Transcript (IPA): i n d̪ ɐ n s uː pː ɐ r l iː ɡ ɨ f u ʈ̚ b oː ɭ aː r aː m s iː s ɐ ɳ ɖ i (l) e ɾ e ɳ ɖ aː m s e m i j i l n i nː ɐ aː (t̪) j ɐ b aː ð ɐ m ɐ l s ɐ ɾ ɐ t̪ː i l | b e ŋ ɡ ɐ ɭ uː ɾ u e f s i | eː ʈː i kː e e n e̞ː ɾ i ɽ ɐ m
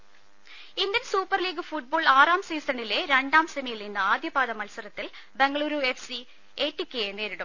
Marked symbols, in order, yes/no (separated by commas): yes, no